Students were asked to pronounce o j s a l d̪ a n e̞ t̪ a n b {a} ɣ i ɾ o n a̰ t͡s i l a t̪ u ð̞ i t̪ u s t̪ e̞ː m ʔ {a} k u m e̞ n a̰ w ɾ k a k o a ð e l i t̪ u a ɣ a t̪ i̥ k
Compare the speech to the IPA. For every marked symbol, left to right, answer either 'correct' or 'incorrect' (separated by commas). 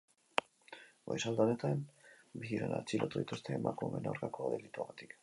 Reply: incorrect, correct